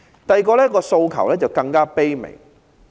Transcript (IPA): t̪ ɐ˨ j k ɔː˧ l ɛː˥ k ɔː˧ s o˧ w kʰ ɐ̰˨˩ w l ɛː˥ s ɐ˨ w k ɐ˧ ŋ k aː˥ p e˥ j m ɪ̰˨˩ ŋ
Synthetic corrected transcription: t̪ ɐ˨ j k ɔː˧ l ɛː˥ k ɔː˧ s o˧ w kʰ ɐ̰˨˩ w l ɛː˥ t͡s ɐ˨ w k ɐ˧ ŋ k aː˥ p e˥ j m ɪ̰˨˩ ŋ

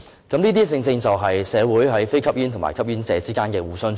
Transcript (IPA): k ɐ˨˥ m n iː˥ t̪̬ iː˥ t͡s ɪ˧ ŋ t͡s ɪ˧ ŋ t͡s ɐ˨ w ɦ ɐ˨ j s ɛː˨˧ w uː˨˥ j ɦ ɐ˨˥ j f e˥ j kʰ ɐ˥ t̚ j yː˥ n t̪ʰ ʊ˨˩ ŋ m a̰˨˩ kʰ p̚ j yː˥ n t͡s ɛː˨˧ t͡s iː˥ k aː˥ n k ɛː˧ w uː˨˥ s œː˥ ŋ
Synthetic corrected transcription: k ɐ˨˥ m n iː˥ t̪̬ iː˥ t͡s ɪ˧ ŋ t͡s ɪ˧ ŋ t͡s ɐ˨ w ɦ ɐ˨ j s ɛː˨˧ w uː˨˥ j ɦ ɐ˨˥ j f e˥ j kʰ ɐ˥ p̚ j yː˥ n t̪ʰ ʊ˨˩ ŋ m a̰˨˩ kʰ p̚ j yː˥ n t͡s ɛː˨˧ t͡s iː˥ k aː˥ n k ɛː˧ w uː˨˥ s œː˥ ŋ

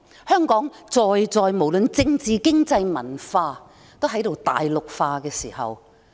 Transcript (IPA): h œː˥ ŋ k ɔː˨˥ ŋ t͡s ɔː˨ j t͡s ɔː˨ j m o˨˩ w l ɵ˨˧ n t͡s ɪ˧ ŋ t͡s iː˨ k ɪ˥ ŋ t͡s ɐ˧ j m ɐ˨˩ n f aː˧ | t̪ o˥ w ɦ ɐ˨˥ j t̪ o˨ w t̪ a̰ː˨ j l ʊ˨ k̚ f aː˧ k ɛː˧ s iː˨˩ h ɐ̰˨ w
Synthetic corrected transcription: h œː˥ ŋ k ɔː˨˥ ŋ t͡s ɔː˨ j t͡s ɔː˨ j m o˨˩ w l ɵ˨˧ n t͡s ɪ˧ ŋ t͡s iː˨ k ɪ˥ ŋ t͡s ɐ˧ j m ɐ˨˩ n f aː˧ | t̪ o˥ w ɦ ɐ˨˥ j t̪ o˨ w t̪ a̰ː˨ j l ʊ˨ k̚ f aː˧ k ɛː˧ s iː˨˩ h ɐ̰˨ w

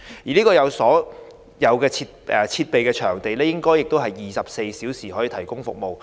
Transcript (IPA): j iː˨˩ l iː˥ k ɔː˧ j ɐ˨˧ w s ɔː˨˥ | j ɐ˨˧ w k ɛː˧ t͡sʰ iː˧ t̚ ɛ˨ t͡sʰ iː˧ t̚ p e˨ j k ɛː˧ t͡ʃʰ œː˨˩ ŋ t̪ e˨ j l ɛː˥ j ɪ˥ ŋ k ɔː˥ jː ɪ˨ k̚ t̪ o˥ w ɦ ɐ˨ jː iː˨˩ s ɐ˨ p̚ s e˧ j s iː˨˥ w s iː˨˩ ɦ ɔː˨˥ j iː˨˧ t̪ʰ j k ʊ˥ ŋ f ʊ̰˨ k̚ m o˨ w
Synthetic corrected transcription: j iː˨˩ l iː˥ k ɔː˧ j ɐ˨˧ w s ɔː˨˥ | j ɐ˨˧ w k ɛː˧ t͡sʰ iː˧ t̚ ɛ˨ t͡sʰ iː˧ t̚ p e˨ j k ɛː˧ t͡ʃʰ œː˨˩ ŋ t̪ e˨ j l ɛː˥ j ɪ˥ ŋ k ɔː˥ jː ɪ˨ k̚ t̪ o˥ w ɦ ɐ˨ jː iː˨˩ s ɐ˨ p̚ s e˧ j s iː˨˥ w s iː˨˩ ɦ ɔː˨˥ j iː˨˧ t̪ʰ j k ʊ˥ ŋ f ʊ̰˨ k̚ m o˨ w

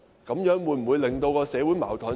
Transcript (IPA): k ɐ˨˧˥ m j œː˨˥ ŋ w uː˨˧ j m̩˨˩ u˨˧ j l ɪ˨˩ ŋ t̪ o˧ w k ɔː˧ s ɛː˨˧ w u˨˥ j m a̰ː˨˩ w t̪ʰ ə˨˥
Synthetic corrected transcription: k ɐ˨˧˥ m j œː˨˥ ŋ w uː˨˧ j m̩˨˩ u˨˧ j l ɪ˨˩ ŋ t̪ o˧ w k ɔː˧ s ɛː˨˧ w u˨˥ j m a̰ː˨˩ w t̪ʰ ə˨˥

